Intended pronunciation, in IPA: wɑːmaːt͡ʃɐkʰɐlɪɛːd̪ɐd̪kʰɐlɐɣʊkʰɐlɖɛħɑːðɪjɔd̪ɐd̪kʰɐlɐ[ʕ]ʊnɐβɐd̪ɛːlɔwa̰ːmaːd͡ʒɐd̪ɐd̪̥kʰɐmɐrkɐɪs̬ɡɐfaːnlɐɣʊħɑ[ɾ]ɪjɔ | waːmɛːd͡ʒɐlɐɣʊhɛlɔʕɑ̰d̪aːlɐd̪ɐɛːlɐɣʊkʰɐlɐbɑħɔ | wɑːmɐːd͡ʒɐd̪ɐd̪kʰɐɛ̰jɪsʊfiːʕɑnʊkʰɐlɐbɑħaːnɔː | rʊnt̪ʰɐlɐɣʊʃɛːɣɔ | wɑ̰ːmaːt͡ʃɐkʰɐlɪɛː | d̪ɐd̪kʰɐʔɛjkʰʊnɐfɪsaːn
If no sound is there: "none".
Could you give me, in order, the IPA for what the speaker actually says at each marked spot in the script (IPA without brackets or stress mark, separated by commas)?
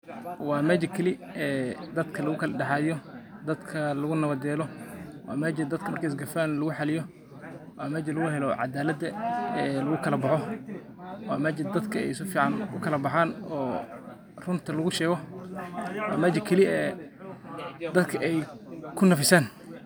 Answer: ɣ, l